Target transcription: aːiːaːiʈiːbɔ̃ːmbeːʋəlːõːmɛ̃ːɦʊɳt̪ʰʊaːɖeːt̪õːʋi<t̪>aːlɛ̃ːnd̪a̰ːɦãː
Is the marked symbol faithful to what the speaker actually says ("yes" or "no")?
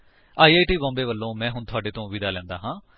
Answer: no